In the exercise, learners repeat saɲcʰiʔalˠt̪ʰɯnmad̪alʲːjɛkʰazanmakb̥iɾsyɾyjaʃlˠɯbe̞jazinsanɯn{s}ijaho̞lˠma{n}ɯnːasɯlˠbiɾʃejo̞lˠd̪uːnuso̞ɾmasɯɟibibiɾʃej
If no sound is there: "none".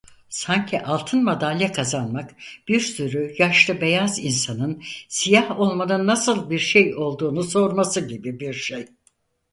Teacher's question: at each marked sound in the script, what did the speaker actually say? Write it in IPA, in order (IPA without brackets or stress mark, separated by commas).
s, n